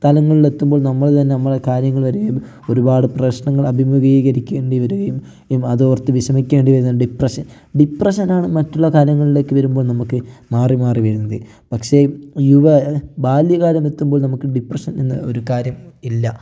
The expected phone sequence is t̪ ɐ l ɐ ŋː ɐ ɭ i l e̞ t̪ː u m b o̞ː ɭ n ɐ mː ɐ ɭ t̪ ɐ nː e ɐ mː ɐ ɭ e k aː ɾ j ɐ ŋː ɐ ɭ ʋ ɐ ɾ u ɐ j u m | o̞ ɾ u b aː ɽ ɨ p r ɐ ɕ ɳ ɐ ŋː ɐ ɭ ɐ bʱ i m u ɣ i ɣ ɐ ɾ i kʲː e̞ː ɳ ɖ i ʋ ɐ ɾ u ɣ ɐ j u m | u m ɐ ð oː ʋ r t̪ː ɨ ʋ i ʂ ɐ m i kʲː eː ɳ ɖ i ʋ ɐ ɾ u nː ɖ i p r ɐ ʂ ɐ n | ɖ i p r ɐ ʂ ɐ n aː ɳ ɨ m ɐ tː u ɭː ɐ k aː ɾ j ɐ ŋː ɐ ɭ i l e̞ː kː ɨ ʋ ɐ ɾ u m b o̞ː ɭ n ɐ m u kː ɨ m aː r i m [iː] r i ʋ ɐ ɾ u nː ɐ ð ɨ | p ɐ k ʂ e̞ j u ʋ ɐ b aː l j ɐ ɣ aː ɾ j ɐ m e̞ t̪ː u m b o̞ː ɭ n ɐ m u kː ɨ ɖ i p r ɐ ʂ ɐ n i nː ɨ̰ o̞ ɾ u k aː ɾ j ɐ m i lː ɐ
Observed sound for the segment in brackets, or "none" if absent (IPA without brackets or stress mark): aː